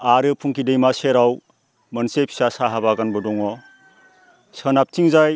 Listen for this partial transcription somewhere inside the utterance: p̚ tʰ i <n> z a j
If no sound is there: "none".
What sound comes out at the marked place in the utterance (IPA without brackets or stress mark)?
ŋ